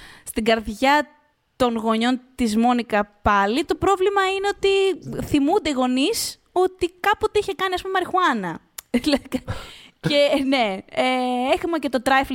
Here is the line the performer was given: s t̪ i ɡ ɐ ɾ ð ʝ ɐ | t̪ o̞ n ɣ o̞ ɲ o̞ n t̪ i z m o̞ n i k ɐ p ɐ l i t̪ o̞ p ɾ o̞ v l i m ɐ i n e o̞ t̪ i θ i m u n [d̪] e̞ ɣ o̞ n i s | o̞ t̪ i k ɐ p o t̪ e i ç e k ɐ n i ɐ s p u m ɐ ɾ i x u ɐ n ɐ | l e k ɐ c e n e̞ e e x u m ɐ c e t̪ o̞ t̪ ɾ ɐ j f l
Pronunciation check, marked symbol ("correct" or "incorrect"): correct